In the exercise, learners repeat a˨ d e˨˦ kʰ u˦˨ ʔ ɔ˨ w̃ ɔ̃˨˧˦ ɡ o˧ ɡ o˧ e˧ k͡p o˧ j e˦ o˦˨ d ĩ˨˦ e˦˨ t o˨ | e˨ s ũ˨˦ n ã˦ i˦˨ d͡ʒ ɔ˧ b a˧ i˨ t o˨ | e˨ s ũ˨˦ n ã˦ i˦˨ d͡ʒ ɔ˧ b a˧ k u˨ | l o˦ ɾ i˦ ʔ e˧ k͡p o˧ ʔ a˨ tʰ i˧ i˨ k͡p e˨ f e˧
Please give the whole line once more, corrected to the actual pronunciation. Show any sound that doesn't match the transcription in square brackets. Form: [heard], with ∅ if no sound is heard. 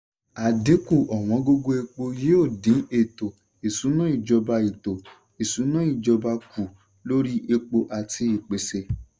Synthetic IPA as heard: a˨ d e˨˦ [k] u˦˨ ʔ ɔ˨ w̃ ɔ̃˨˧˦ ɡ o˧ ɡ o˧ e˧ k͡p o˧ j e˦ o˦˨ d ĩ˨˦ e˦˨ t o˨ | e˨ s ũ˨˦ n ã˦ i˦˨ d͡ʒ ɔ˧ b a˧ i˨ t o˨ | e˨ s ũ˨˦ n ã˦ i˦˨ d͡ʒ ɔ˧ b a˧ k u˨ | l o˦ ɾ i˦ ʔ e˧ k͡p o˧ ʔ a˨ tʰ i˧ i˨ k͡p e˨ [s] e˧